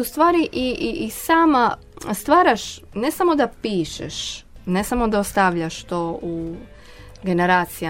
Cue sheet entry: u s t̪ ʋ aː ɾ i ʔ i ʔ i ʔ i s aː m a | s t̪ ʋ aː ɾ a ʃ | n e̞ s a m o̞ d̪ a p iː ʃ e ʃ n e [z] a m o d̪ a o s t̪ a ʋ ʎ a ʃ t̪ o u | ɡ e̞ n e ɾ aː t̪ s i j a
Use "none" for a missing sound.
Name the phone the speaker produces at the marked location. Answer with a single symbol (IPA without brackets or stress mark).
s